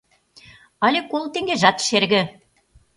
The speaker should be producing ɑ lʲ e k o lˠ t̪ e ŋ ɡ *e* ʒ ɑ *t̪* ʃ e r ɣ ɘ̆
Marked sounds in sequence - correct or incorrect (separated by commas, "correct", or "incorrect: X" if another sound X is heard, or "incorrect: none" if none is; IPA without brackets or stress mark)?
correct, correct